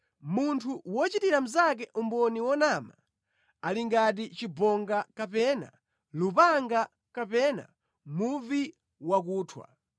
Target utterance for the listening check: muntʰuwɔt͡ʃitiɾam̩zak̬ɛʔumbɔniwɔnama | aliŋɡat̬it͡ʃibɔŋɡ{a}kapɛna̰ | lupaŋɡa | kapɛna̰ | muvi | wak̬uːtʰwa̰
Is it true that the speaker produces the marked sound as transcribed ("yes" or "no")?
yes